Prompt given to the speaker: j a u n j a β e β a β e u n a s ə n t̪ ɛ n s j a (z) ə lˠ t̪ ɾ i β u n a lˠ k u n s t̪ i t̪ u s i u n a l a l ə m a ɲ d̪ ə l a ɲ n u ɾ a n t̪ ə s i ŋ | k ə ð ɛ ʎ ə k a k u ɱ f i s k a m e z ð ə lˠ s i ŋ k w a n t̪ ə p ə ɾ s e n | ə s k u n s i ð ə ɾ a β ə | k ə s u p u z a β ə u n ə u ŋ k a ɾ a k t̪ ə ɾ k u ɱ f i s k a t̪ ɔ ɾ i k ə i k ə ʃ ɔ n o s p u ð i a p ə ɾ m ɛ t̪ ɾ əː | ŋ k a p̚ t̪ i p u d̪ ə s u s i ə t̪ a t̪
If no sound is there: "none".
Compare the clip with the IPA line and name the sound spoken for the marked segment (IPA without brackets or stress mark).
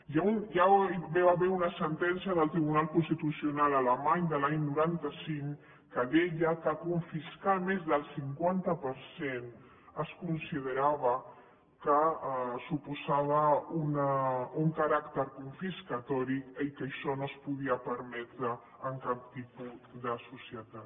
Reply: ð